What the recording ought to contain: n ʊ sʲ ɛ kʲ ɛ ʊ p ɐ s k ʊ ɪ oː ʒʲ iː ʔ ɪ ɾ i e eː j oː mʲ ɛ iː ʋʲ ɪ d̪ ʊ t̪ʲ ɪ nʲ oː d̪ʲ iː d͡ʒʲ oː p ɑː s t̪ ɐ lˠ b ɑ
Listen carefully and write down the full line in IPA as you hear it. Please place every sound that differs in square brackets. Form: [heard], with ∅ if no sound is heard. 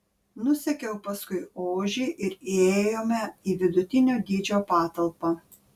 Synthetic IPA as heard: n ʊ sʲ ɛ kʲ ɛ ʊ p ɐ s k ʊ ɪ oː ʒʲ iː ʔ ɪ ɾ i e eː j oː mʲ ɛ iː ʋʲ ɪ d̪ ʊ t̪ʲ ɪ nʲ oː d̪ʲ iː d͡ʒʲ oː p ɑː [∅] t̪ ɐ lˠ [p] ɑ